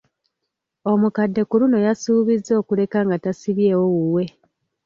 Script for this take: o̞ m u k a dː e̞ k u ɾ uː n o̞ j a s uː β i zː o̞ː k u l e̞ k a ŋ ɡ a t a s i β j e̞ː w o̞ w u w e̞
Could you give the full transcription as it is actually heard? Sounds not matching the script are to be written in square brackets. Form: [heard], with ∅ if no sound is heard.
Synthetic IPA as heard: o̞ m u k a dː e̞ k u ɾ [u] n o̞ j a s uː β i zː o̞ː k u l e̞ k a ŋ ɡ a t a s i β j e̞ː w o̞ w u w e̞